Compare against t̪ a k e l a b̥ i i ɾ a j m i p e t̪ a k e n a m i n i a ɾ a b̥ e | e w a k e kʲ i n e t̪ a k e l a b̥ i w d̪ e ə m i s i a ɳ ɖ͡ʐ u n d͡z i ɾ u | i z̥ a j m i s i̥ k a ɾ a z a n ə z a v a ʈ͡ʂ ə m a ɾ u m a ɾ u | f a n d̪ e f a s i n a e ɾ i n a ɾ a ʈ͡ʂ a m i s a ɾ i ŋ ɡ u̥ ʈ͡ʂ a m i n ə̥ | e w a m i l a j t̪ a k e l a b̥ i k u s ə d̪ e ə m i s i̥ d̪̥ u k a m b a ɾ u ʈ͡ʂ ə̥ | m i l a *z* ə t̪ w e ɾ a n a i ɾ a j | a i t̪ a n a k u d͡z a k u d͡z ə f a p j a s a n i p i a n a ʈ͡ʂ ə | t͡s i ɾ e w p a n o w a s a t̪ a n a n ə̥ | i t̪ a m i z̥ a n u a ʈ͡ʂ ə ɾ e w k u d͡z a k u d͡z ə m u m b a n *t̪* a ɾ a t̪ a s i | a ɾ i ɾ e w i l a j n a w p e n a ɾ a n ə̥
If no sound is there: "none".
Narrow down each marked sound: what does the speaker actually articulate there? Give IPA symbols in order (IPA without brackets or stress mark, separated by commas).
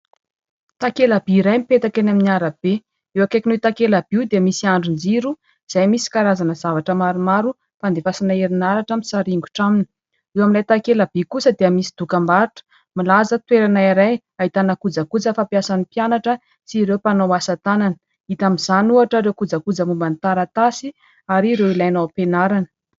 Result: z, t̪